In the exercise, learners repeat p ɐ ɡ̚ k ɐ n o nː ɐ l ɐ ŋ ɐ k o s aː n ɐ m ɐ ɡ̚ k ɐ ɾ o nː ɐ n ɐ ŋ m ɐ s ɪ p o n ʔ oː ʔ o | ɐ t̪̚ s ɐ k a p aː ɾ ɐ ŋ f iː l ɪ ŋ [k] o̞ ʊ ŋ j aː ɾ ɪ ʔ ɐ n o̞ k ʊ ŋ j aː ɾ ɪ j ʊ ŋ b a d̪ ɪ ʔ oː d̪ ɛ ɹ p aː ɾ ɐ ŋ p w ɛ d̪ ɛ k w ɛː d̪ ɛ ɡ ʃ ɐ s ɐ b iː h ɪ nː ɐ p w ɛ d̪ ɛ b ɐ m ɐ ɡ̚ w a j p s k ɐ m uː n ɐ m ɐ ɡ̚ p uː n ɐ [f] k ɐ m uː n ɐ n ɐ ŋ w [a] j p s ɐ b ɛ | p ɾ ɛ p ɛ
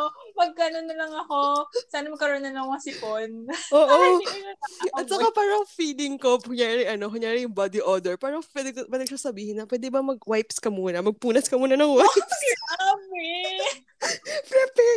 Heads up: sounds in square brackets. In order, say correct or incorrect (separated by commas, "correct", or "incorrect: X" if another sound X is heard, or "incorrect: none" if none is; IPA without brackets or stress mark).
correct, incorrect: s, correct